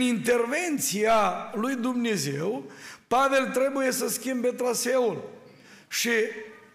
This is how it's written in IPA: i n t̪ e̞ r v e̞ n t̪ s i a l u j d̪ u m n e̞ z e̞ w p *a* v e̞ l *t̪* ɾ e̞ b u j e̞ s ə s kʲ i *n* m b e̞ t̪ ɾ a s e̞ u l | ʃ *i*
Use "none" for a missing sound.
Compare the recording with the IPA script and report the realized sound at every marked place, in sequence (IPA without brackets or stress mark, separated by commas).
a, t̪, none, i